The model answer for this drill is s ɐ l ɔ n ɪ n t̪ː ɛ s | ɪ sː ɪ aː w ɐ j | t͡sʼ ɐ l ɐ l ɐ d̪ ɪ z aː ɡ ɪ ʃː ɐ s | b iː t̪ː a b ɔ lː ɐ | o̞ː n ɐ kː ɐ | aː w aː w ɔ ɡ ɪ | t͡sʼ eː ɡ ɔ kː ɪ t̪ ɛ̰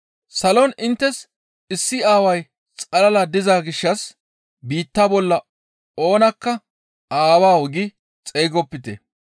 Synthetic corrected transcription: s ɐ l ɔ n ɪ n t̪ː ɛ s | ɪ sː ɪ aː w ɐ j | t͡sʼ ɐ l ɐ l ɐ d̪ ɪ z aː ɡ ɪ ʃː ɐ s | b iː t̪ː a b ɔ lː ɐ | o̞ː n ɐ kː ɐ | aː w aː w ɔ ɡ ɪ | t͡sʼ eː ɡ ɔ pː ɪ t̪ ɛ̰